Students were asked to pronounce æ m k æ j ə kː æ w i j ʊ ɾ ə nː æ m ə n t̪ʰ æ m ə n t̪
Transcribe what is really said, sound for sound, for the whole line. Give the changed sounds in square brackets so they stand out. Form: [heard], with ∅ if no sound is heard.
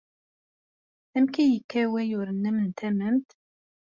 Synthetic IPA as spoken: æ m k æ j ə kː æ w [æ] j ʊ ɾ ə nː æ m ə n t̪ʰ æ m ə [m] t̪